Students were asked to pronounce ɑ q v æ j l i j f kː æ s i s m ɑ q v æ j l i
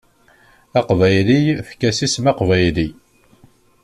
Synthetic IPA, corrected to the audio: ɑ q v æ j l i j f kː æ s i s m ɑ q v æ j l i